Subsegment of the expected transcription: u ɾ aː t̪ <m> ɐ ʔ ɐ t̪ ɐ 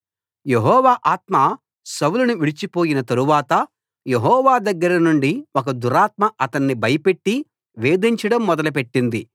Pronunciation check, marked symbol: correct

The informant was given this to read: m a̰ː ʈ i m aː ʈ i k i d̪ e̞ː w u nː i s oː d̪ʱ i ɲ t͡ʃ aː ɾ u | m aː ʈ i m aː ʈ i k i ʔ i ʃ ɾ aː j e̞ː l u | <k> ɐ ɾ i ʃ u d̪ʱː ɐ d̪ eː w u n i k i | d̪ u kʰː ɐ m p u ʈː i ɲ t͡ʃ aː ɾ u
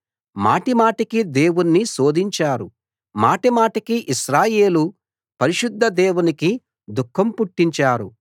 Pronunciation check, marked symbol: incorrect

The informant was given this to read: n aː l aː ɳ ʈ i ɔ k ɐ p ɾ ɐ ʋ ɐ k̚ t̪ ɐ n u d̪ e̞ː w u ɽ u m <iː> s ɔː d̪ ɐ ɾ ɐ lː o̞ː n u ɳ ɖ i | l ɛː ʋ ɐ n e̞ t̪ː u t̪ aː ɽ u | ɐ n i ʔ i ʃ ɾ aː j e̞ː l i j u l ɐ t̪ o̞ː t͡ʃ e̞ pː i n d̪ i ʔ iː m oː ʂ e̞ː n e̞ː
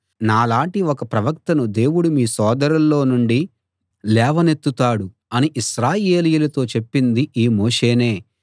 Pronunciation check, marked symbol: correct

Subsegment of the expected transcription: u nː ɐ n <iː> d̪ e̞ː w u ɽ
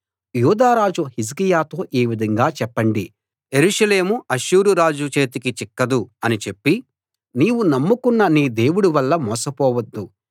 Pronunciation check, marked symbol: correct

